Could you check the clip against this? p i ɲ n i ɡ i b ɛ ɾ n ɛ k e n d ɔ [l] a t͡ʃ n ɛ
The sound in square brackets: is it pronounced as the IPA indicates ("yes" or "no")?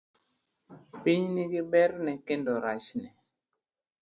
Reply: no